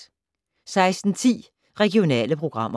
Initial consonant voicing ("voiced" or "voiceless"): voiceless